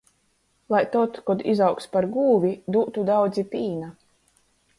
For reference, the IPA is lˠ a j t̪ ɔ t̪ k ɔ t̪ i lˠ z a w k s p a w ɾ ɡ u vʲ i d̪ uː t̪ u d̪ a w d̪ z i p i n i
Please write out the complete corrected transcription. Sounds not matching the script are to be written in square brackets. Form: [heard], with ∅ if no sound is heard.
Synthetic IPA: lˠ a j t̪ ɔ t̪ k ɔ [d̪] i [∅] z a w k s p a [∅] ɾ ɡ [uː] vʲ i d̪ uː t̪ u d̪ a w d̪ z i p [iː] n [a]